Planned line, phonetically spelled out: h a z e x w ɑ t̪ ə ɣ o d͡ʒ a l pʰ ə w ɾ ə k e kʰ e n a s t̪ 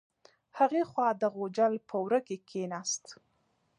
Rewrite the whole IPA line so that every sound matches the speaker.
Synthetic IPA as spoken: h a ɣ e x w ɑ d̪ ə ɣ o d͡ʒ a l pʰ ə w ɾ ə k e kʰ e n a s t̪

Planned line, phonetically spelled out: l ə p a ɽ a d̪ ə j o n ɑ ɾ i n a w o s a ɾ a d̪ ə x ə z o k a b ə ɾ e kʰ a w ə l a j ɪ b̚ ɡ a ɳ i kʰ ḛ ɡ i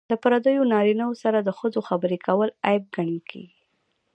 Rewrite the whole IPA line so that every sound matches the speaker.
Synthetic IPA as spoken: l ə p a ɾ a d̪ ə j o n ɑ ɾ i n a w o s a ɾ a d̪ ə x ə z o x a b ə ɾ e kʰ a w ə l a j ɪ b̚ ɡ a ɳ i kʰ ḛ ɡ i

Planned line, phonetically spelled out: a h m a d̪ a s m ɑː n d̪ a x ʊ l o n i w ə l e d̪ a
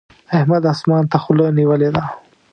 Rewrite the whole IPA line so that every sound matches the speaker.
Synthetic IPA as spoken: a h m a d̪ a s m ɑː n t̪ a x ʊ l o n i w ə l e d̪ a

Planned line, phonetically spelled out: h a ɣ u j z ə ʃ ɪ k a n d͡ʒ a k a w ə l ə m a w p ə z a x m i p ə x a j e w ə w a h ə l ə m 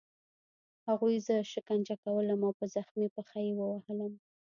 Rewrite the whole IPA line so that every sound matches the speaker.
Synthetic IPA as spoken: h a ɣ u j z ə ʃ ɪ k a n d͡ʒ a k a w ə l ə m a w p ə z a x m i p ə x a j e w ə w a h ə l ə m

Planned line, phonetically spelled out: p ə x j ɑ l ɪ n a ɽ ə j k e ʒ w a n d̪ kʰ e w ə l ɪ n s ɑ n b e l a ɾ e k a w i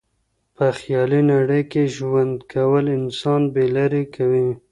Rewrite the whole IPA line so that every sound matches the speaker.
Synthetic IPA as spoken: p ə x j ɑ l i n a ɽ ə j k e ʒ w a n d̪ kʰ a w ə l ɪ n s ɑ n b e l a ɾ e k a w i

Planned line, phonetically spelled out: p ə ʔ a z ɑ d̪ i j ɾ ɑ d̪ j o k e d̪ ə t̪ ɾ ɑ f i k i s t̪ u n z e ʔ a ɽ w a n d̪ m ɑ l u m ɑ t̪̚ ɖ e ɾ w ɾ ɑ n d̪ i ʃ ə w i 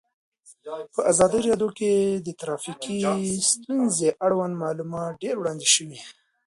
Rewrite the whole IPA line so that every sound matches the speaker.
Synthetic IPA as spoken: p ə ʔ a z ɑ d̪ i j ɾ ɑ d̪ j o k e d̪ ə t̪ ɾ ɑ f i k i s t̪ u n z e ʔ a ɽ w a n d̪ m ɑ l u m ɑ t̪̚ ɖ e ɾ w ɽ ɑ n d̪ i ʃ ə w i

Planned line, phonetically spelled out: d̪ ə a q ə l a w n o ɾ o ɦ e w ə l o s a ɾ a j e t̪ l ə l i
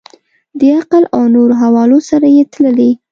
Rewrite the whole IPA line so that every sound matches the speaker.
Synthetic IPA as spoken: d̪ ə a q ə l a w n o ɾ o ɦ a w ɑ l o s a ɾ a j e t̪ l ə l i

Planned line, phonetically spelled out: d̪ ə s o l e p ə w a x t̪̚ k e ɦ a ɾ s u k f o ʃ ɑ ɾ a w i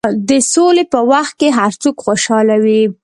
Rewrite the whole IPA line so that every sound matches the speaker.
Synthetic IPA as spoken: d̪ ə s o l e p ə w a x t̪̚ k e ɦ a ɾ t͡s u k x o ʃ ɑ l a w i

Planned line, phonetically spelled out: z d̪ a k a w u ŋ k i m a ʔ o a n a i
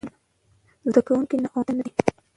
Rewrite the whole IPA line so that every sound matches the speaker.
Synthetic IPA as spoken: z d̪ a k a w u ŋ k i n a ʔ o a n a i

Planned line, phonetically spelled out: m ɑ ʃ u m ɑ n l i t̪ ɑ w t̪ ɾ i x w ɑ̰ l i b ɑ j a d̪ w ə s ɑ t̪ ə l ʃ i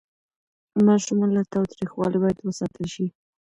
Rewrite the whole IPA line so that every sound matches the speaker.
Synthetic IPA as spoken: m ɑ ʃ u m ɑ n l a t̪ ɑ w t̪ ɾ i x w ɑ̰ l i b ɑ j a d̪ w ə s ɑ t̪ ə l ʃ i

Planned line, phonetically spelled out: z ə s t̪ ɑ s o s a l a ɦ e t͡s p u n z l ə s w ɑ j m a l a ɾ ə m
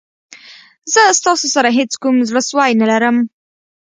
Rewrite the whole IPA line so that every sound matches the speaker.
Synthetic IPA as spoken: z ə s t̪ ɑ s o s a ɾ a ɦ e t͡s k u m z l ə s w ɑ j n a l a ɾ ə m

